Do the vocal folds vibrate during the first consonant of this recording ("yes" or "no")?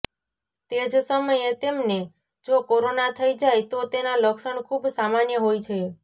no